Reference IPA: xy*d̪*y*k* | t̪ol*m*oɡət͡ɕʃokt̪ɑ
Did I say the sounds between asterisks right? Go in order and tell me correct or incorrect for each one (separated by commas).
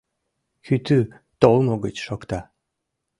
incorrect, incorrect, correct